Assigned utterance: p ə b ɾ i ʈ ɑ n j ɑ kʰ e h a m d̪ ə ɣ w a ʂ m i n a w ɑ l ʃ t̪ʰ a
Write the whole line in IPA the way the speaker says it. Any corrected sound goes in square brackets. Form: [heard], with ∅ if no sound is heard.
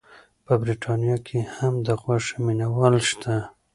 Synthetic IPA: p ə b ɾ i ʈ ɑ n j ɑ kʰ e h a m d̪ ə ɣ w a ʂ m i n a w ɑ l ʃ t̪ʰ a